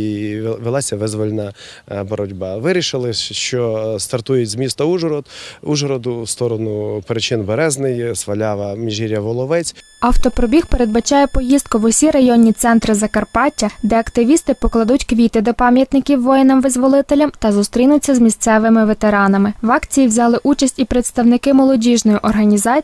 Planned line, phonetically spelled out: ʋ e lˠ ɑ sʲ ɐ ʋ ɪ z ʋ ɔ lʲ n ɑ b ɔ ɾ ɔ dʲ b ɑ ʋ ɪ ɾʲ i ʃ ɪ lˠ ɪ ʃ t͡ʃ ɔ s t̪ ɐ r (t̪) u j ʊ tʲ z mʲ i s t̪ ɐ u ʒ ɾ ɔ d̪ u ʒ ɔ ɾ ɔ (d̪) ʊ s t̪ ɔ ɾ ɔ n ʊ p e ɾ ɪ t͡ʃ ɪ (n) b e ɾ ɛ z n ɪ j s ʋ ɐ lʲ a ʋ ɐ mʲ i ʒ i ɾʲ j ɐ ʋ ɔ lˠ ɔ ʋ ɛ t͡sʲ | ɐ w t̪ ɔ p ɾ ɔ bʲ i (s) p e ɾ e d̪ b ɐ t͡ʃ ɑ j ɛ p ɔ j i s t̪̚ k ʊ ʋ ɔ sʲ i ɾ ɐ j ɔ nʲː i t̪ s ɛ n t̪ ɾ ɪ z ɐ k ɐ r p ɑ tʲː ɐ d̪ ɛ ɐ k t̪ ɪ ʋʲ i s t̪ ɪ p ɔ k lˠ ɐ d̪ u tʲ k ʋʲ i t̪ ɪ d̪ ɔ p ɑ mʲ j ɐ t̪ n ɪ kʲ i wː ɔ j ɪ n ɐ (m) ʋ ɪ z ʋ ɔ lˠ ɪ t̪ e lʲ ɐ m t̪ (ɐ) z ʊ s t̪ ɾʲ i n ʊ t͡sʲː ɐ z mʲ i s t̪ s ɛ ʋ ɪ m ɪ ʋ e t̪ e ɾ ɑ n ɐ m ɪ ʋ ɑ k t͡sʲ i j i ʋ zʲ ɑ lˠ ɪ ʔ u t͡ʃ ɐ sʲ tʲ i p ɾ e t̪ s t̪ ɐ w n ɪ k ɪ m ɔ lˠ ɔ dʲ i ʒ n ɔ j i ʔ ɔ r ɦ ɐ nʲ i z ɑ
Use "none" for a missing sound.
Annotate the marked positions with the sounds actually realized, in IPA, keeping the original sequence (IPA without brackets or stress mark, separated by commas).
t̪, d̪, n, x, m, ɐ